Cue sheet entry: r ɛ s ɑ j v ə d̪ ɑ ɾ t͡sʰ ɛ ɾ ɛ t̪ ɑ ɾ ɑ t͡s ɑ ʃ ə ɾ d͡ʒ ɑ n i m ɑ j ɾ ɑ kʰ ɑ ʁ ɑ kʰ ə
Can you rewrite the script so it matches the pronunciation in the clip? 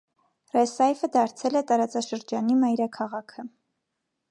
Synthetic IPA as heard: r ɛ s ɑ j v ə d̪ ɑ ɾ t͡sʰ ɛ l ɛ t̪ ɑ ɾ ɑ t͡s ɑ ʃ ə ɾ d͡ʒ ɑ n i m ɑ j ɾ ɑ kʰ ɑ ʁ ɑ kʰ ə